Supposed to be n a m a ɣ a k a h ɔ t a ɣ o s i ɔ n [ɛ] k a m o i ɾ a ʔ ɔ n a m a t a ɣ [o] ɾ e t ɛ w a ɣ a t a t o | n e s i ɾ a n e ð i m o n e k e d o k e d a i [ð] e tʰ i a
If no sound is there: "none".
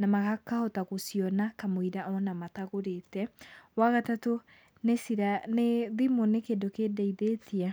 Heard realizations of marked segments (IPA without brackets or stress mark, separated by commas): a, o, ð